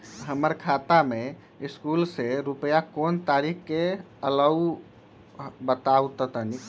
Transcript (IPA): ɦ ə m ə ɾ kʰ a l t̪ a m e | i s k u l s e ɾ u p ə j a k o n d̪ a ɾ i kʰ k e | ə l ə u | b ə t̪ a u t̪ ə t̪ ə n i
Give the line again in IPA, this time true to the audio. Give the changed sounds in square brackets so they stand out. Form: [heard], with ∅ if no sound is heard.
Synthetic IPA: ɦ ə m ə ɾ kʰ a [∅] t̪ a m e | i s k u l s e ɾ u p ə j a k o n [t̪] a ɾ i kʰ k e | ə l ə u | b ə t̪ a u t̪ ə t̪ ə n i